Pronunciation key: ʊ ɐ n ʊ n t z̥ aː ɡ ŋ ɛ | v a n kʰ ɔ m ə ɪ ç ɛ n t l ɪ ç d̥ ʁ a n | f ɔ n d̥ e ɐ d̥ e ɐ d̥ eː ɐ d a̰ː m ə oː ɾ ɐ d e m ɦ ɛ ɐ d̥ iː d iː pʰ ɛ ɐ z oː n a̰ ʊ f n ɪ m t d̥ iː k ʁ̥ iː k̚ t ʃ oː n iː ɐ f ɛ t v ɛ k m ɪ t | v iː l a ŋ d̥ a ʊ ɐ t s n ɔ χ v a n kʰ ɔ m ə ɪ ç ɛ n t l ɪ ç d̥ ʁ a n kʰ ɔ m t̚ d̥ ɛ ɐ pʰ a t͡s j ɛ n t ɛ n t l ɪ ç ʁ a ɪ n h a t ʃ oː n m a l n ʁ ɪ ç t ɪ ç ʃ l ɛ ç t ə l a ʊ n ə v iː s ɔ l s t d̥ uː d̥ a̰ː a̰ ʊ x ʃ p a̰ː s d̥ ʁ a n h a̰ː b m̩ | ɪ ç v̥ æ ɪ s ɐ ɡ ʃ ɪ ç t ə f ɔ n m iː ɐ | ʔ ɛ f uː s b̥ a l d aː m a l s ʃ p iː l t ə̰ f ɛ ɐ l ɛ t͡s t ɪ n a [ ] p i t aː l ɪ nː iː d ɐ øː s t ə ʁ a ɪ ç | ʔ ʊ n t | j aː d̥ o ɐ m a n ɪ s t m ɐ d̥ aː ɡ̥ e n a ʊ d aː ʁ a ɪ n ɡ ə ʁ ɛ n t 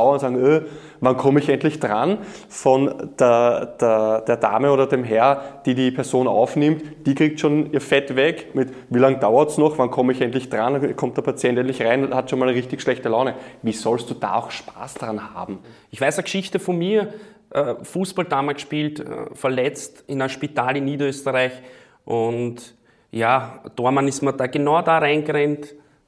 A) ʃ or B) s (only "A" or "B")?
A